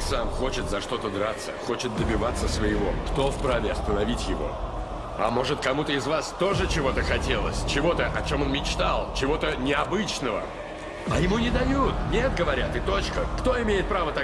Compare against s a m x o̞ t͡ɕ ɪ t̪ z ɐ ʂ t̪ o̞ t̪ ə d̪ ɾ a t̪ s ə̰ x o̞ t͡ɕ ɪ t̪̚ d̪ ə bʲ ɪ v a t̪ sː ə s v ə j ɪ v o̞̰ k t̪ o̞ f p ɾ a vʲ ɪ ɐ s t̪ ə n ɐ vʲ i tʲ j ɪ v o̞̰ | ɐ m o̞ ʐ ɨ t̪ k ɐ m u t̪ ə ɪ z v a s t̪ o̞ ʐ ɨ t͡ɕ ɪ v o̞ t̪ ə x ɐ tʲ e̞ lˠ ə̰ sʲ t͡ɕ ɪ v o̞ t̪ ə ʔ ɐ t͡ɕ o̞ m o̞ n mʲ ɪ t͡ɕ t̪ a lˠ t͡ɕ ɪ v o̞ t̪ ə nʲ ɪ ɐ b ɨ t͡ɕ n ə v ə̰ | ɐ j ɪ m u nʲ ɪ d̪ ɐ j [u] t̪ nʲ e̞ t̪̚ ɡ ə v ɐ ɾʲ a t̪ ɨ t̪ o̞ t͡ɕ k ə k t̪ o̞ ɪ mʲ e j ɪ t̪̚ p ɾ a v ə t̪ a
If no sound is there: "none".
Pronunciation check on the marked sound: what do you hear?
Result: u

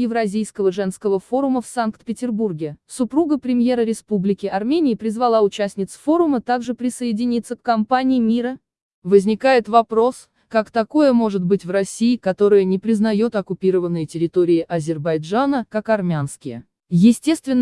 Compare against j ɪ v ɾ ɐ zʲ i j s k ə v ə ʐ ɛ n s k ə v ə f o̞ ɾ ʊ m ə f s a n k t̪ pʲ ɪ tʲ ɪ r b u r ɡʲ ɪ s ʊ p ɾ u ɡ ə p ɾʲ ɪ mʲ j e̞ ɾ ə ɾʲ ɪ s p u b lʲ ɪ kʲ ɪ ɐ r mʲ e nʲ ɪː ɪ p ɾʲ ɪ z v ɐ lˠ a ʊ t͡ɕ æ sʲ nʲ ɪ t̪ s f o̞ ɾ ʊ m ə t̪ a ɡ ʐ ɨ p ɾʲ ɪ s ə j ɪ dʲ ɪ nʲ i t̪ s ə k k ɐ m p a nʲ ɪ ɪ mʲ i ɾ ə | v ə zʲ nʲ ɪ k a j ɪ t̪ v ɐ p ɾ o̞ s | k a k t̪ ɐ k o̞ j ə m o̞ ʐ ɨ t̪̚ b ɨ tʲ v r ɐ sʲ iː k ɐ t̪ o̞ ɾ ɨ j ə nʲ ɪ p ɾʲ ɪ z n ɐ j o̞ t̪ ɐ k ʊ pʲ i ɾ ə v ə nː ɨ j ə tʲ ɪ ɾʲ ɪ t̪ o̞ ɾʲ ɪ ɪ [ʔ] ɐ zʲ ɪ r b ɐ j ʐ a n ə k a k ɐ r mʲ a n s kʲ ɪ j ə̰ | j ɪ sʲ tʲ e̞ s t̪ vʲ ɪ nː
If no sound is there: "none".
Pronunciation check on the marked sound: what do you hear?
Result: ʔ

